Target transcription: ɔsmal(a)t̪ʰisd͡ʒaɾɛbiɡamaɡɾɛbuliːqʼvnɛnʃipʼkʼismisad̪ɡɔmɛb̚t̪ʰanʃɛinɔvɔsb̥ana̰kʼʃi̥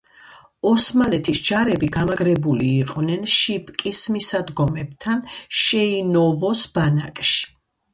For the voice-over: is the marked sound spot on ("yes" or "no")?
no